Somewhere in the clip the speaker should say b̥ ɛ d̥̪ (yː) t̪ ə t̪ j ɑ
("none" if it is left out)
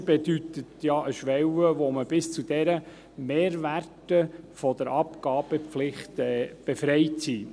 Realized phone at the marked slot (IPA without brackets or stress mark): y